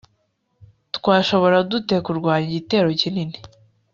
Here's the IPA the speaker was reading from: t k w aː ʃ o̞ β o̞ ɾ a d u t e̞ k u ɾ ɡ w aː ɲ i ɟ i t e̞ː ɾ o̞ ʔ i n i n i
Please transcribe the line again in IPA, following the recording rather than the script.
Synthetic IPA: t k w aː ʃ o̞ β o̞ ɾ a d u t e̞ k u ɾ ɡ w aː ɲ i ɟ i t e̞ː ɾ o̞ c i n i n i